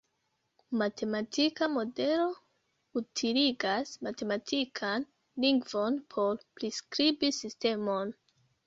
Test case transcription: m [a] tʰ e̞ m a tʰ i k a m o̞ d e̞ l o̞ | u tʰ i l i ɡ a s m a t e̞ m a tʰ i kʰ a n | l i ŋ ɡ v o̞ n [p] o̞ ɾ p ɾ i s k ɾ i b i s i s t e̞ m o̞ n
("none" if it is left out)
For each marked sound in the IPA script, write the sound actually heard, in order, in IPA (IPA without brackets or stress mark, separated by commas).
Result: a, pʰ